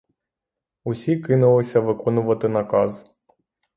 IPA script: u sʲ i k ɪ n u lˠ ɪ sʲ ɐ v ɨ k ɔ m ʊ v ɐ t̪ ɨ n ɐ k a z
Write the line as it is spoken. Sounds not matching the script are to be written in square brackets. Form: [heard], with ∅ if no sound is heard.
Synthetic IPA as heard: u sʲ i k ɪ n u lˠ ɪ sʲ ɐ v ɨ k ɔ [n] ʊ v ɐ t̪ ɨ n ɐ k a z